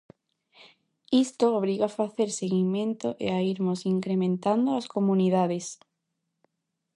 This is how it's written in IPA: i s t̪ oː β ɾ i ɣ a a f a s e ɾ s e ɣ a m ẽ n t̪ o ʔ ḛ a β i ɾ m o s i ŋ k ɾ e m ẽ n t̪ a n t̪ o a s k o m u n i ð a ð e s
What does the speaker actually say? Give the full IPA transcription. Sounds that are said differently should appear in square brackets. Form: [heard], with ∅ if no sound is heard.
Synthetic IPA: i s t̪ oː β ɾ i ɣ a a f a [θ] e ɾ s e ɣ [i] m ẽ n t̪ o ʔ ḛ a [∅] i ɾ m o s i ŋ k ɾ e m ẽ n t̪ a n [d̪] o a s k o m u n i ð a ð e s